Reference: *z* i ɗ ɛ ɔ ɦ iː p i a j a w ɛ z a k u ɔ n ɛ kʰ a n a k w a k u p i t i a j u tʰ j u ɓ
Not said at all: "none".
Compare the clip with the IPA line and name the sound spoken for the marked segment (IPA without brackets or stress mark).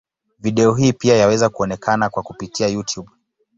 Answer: v